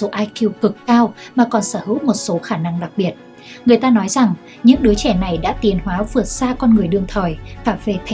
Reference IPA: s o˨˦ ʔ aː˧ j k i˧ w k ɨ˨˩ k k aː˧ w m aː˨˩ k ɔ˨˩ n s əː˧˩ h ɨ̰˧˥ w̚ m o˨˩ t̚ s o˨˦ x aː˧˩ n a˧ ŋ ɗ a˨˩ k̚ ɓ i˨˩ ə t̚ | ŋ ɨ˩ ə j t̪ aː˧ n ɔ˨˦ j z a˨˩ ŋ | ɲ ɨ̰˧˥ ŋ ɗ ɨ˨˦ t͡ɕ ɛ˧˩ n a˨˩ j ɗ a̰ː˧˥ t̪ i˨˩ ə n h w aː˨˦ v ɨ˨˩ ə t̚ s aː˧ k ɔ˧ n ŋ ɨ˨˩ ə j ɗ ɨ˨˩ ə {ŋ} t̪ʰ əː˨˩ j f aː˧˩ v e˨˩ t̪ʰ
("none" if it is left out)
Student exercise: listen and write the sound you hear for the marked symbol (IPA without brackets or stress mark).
ŋ